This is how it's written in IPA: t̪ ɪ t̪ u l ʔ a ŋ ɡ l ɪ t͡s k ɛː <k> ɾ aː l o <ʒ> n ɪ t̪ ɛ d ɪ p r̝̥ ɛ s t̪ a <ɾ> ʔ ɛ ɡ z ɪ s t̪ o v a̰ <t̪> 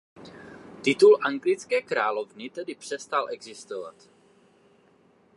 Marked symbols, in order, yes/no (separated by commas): yes, no, no, yes